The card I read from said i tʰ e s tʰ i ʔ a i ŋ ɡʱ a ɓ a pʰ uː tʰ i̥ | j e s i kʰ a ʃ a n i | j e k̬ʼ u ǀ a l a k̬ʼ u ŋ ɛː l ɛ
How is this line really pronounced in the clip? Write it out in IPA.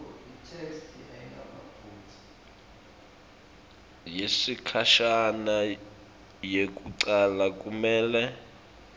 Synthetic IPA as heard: i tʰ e s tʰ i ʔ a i ŋ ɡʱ a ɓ a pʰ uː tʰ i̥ | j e s i kʰ a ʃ a n a | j e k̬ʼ u ǀ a l a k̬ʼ u m ɛː l ɛ